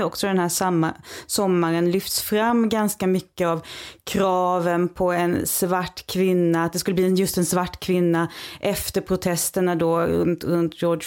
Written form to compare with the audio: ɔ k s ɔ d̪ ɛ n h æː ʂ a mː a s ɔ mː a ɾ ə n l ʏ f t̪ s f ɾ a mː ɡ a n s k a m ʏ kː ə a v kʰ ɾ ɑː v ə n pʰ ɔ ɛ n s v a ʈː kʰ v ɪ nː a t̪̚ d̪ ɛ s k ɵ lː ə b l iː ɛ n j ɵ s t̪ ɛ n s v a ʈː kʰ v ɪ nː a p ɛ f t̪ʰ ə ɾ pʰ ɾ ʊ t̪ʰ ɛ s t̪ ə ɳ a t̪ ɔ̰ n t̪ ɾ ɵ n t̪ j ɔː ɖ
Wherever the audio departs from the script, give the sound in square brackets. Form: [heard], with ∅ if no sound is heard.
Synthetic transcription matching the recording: ɔ k s ɔ d̪ ɛ n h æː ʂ a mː a s ɔ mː a ɾ ə n l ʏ f t̪ s f ɾ a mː ɡ a n s k a m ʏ kː ə a v kʰ ɾ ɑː v ə n pʰ ɔ ɛ n s v a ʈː kʰ v ɪ nː a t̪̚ d̪ ɛ s k ɵ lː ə b l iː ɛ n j ɵ s t̪ ɛ n s v a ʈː kʰ v ɪ nː a [ʔ] ɛ f [t̪] ə ɾ pʰ ɾ ʊ t̪ʰ ɛ s t̪ ə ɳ a [d̪] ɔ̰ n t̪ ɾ ɵ n t̪ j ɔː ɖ